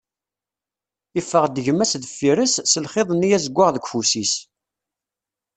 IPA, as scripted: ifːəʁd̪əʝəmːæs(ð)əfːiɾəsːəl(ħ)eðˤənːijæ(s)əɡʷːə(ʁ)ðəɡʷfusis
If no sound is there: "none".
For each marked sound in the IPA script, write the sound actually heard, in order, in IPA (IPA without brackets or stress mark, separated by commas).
ð, χ, z, ʁ